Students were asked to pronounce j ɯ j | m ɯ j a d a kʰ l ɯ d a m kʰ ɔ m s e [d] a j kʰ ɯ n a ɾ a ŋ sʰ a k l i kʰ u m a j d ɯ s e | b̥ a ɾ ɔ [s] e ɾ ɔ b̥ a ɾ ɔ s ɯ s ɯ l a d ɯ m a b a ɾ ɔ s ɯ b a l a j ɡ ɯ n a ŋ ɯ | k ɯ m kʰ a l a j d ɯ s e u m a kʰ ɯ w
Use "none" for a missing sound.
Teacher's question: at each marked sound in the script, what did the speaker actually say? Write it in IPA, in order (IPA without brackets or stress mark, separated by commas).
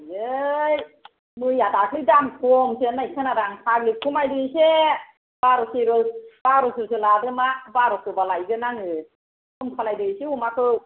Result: n, s